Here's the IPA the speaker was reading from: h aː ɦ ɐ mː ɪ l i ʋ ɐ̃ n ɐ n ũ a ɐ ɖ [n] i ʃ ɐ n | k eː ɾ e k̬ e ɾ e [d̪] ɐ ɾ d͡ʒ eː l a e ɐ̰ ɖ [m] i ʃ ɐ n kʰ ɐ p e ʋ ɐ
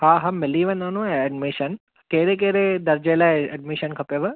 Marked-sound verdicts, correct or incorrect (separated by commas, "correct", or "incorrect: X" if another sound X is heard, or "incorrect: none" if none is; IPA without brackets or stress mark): incorrect: m, correct, correct